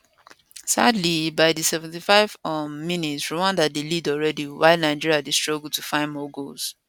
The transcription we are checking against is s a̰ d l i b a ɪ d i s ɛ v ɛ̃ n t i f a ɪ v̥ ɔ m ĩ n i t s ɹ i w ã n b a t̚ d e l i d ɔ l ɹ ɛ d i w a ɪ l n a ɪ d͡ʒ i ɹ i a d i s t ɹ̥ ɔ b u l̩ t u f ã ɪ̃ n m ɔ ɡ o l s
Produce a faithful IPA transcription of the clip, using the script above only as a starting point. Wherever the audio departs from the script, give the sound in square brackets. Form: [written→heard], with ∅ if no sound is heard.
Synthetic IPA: s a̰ d l i b a ɪ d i s ɛ v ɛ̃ n t i f a ɪ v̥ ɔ m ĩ n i t s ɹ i w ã n [b→d] a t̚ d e l i d ɔ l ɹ ɛ d i w a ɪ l n a ɪ d͡ʒ i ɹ i a d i s t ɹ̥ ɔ [b→ɡ] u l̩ t u f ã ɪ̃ n m ɔ ɡ o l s